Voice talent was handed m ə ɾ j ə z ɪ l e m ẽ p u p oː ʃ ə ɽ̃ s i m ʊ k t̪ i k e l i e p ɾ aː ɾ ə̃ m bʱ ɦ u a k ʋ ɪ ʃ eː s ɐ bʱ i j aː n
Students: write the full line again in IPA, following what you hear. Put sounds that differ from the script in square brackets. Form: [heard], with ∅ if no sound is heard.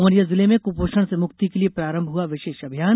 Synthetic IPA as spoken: m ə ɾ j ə z ɪ l e m ẽ [k] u p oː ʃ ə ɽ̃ s [e] m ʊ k t̪ i k e l i e p ɾ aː ɾ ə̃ m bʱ ɦ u a [∅] ʋ ɪ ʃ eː [ʃ] ɐ bʱ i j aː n